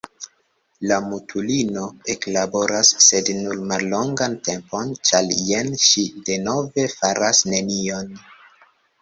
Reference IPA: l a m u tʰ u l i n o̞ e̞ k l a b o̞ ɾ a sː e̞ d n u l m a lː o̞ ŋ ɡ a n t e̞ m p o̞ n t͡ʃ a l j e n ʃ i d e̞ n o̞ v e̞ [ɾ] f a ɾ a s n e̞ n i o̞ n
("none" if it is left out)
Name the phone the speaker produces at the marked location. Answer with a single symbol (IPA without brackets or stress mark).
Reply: none